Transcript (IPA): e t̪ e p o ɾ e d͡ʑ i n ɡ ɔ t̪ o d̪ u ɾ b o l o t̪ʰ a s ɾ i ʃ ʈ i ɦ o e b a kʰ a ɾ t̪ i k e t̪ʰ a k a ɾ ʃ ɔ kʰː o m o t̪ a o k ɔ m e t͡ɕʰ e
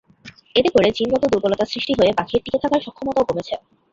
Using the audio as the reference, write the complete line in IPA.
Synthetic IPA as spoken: e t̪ e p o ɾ e d͡ʑ i n ɡ ɔ t̪ o d̪ u ɾ b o l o t̪ a s ɾ i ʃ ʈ i ɦ o e b a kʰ i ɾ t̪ i k e t̪ʰ a k a ɾ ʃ ɔ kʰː o m o t̪ a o k o m e t͡ɕʰ e